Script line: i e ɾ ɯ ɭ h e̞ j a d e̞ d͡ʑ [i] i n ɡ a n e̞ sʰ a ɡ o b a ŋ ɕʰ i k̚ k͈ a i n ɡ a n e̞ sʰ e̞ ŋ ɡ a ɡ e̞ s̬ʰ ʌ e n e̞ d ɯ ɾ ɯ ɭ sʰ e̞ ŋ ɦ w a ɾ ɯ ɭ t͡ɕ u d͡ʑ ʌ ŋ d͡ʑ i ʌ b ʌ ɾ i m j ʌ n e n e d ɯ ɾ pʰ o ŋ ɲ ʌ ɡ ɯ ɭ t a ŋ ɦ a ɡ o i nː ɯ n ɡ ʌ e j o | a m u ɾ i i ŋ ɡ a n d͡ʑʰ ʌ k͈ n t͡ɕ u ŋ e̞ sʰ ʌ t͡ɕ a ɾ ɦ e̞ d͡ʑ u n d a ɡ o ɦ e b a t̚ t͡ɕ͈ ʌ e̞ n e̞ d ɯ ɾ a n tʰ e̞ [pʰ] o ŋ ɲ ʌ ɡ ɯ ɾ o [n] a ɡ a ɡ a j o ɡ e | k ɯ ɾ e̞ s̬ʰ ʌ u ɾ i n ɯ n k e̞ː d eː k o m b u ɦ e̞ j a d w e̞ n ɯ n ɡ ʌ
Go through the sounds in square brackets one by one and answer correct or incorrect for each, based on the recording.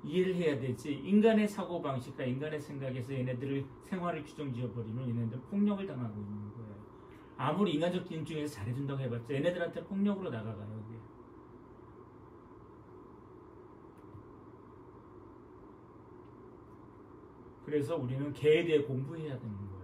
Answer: correct, correct, correct

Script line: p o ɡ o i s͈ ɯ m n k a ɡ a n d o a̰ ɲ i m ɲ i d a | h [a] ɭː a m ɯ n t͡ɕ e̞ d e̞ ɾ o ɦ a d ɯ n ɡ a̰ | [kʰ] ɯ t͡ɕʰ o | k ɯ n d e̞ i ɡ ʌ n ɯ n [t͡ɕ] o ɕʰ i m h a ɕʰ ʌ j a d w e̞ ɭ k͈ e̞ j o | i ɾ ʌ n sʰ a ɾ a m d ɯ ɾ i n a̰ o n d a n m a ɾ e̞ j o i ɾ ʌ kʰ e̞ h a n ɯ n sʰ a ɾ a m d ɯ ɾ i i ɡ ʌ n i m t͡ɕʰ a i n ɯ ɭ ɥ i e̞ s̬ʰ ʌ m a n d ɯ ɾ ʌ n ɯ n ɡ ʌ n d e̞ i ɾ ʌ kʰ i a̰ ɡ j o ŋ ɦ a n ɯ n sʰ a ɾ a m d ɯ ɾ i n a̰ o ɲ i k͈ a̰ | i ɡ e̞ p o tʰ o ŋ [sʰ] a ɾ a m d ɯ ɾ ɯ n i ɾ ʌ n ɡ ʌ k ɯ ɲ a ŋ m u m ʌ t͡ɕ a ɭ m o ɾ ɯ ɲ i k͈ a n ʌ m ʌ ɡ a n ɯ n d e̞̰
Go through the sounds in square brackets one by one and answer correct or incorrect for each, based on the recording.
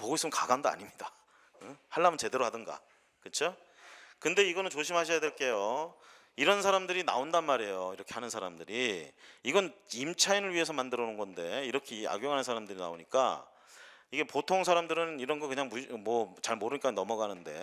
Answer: correct, incorrect: k, correct, correct

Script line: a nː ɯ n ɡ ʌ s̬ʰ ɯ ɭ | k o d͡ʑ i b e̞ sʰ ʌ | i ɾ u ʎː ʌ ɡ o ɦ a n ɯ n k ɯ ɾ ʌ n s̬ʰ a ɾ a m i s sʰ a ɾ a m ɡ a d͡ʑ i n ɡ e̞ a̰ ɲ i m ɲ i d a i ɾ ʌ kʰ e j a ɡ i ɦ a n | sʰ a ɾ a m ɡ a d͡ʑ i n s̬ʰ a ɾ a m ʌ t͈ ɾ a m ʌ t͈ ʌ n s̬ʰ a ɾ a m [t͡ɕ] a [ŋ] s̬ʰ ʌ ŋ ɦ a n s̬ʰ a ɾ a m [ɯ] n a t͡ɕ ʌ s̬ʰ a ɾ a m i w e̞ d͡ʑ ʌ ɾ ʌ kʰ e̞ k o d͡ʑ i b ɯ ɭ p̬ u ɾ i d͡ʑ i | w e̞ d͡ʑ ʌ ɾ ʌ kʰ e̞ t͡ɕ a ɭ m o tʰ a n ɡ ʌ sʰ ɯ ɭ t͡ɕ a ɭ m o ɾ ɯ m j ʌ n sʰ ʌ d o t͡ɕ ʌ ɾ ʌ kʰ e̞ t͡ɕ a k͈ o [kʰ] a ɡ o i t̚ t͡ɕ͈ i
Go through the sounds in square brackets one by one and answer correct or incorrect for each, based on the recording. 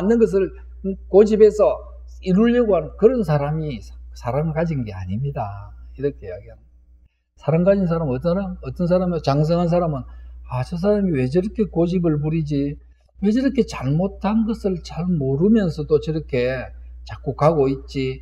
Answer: correct, correct, correct, incorrect: k

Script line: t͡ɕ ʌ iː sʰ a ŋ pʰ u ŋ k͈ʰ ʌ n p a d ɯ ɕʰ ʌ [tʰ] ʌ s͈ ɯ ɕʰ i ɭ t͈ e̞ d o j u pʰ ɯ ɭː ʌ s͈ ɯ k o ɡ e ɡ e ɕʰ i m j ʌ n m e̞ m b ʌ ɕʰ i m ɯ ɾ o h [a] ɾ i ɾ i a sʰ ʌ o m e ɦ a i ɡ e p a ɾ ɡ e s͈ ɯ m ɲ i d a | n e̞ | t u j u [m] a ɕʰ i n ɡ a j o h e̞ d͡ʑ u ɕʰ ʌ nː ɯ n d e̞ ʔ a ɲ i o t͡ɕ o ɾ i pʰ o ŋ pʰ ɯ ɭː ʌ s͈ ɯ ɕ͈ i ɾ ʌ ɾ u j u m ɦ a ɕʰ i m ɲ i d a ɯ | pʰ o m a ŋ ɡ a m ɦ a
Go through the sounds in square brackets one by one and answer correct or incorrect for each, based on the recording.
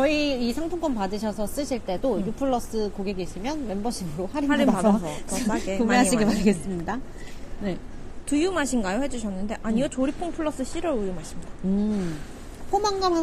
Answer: incorrect: sʰ, correct, correct

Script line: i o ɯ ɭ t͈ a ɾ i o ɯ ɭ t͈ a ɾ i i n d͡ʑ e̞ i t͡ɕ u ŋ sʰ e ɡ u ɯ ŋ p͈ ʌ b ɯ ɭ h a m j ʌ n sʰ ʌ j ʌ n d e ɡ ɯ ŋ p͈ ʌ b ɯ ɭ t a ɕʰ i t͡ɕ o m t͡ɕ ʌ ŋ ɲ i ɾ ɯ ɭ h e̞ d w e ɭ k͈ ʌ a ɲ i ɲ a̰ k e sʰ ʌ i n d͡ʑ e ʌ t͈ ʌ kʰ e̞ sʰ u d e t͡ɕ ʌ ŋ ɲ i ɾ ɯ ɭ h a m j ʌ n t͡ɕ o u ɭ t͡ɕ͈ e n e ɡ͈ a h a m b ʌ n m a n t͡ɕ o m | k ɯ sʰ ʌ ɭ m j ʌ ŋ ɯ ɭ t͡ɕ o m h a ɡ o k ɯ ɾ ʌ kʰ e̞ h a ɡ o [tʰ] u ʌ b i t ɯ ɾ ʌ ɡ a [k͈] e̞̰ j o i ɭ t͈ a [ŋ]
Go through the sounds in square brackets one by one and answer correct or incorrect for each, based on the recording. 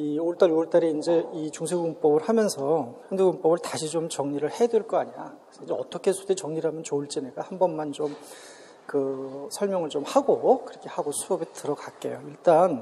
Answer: incorrect: sʰ, correct, incorrect: n

